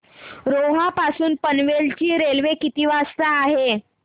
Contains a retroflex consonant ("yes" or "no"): no